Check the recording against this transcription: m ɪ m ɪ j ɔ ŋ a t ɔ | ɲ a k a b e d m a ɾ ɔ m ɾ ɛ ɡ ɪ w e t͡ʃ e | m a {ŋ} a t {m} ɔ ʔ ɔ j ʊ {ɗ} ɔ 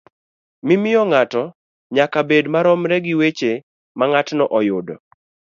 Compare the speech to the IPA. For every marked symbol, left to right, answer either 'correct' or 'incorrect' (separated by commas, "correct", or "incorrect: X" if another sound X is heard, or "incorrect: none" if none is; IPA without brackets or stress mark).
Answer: correct, incorrect: n, incorrect: d